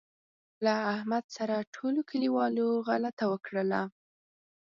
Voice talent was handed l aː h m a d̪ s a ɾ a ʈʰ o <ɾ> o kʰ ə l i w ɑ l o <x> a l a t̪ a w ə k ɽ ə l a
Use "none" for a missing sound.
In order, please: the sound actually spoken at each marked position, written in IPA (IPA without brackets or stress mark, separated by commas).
l, ɣ